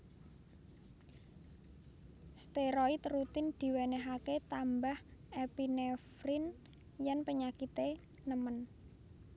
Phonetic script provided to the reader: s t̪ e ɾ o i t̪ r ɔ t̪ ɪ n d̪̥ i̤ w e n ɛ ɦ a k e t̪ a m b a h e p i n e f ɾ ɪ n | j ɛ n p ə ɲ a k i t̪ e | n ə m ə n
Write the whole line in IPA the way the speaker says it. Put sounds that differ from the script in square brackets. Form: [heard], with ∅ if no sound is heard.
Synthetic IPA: s t̪ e ɾ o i t̪ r [u] t̪ ɪ n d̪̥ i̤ w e n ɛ ɦ a k e t̪ a m b a h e p i n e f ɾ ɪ n | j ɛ n p ə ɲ a k i t̪ e | n ə m ə n